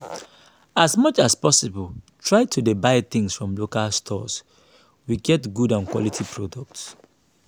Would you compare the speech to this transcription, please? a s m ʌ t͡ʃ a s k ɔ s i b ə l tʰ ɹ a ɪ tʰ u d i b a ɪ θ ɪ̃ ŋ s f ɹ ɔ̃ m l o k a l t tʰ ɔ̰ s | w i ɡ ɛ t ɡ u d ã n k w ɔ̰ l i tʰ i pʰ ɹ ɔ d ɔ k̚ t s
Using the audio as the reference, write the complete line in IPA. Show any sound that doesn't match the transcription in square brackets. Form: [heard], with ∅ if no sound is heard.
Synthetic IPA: a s m ʌ t͡ʃ a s [p] ɔ s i b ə l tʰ ɹ a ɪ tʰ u d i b a ɪ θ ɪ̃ ŋ s f ɹ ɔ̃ m l o k a l [s] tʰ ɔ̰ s | w i ɡ ɛ t ɡ u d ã n k w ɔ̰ l i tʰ i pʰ ɹ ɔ d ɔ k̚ t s